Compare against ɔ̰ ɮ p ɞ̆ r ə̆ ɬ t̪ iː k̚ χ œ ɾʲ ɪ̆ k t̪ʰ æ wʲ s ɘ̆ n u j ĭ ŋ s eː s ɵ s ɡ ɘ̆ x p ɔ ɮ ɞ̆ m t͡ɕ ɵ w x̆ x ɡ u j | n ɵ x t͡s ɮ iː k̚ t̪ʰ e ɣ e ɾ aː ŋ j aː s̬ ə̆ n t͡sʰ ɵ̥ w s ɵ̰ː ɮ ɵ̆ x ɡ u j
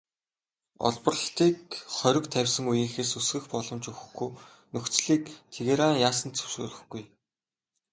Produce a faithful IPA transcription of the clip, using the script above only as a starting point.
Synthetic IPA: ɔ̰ ɮ p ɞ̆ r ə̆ ɬ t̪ iː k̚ χ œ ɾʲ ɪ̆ k t̪ʰ æ wʲ s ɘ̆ ŋ u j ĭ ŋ x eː s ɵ s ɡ ɘ̆ x p ɔ ɮ ɞ̆ m t͡ɕ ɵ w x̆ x ɡ u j | n ɵ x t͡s ɮ iː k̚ t̪ʰ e ɣ e ɾ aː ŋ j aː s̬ ə̆ n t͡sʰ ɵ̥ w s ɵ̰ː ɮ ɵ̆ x ɡ u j